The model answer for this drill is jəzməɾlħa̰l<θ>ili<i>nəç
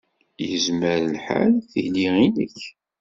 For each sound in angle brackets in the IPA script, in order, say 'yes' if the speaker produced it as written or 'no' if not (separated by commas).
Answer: yes, yes